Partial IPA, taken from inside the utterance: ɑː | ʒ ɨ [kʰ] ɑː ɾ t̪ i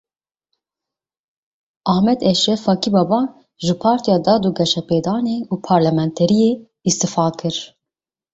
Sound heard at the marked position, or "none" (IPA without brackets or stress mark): pʰ